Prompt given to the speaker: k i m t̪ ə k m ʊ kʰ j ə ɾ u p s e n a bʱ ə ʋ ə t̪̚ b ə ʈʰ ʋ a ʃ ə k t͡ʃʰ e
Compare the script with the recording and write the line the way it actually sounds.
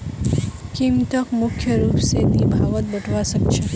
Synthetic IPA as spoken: k i m t̪ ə k m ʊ kʰ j ə ɾ u p s e n i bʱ a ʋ ə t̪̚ b ə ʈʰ ʋ a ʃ ə k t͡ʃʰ e